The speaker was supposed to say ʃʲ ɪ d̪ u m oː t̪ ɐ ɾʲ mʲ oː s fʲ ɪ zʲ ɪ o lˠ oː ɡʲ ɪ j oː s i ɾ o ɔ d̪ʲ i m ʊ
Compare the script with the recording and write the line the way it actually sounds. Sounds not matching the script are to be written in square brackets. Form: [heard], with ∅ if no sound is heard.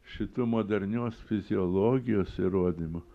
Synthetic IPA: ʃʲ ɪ [t̪] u m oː [d̪] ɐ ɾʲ [nʲ] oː s fʲ ɪ zʲ ɪ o lˠ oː ɡʲ ɪ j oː s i ɾ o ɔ d̪ʲ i m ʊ